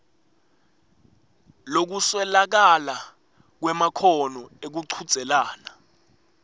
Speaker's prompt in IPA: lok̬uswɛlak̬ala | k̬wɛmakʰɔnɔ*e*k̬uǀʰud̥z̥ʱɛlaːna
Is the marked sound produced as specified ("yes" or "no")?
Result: yes